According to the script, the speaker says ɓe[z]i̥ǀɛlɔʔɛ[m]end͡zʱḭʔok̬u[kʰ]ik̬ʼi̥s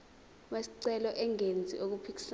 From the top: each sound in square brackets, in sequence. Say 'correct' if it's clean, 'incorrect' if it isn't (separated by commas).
incorrect, incorrect, incorrect